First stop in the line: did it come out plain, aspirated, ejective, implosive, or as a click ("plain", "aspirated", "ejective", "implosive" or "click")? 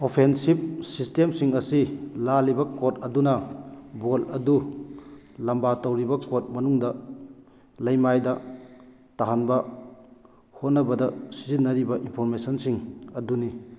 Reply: aspirated